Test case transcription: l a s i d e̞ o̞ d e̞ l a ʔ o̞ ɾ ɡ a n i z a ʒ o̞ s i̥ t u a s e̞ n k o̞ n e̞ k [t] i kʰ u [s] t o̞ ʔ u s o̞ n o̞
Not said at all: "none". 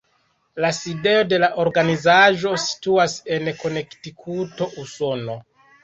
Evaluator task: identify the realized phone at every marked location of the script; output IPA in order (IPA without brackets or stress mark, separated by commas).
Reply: t, none